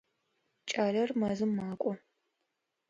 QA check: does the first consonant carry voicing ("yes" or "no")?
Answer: no